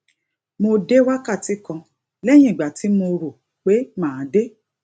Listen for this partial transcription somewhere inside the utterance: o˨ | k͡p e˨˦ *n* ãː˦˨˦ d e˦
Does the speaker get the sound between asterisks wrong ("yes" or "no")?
yes